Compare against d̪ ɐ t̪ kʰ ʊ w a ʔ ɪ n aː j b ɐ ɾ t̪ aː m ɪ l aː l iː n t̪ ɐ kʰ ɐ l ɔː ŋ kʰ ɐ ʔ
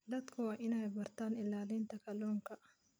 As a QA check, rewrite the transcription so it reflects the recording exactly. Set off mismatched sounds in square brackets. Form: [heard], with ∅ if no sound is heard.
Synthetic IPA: d̪ ɐ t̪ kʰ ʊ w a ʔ ɪ n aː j b ɐ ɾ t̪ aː [n] ɪ l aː l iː n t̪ ɐ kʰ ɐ l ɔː ŋ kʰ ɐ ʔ